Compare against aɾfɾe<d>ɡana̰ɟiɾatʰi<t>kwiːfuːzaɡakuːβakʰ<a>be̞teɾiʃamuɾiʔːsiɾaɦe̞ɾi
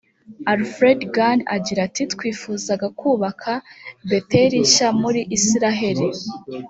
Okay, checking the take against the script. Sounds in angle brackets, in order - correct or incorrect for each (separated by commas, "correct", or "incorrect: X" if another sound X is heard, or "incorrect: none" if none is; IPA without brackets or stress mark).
correct, correct, correct